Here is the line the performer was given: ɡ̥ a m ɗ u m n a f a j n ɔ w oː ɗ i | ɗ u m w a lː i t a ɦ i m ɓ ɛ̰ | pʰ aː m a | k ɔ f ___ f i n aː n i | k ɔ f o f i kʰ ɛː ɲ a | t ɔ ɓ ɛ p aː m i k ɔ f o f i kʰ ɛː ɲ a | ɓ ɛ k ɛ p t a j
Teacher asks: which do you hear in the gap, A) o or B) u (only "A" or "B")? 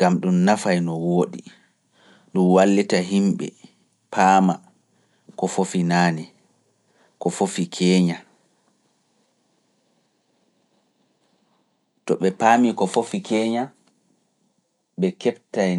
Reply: A